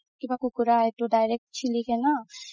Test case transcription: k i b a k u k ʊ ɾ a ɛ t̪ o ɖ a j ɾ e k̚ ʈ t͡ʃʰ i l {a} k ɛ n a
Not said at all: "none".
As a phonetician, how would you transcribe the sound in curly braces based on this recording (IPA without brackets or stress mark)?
i